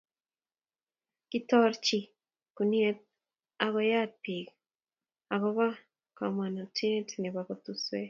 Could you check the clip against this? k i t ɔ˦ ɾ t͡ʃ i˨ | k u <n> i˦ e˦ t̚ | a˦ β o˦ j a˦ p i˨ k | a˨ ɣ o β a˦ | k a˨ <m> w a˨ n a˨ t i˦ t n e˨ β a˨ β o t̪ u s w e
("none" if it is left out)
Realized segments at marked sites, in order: n, m

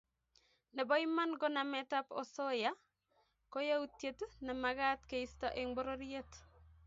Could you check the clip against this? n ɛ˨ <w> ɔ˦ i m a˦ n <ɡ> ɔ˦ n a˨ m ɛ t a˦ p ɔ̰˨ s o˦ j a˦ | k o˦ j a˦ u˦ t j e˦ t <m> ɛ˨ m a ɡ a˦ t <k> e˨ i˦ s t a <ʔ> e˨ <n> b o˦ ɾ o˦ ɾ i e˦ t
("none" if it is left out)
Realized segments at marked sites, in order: b, ɡ, n, k, ʔ, ŋ

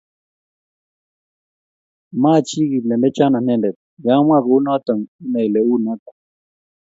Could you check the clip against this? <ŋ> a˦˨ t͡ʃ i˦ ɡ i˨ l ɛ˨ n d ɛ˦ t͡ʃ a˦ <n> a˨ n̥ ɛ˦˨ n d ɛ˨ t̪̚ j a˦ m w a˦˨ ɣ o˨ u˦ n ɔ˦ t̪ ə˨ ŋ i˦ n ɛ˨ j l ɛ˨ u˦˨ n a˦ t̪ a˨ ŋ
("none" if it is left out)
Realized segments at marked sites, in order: m, n

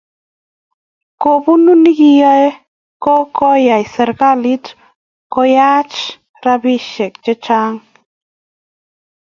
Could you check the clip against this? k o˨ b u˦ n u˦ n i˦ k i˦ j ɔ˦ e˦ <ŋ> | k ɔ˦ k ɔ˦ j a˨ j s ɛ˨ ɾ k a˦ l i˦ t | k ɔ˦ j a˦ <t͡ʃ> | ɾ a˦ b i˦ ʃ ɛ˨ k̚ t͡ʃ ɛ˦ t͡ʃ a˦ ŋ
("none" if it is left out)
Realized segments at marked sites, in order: none, t͡ʃ

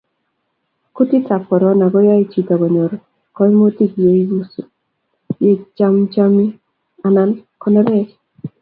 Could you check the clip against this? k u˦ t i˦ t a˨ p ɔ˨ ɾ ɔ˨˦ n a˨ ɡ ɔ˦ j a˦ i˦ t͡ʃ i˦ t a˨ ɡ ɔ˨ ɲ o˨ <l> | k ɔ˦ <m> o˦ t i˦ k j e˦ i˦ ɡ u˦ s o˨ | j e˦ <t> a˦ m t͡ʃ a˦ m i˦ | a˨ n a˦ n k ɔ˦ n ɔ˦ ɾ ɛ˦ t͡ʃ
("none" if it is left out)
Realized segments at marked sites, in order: ɾ, m, t͡ʃ

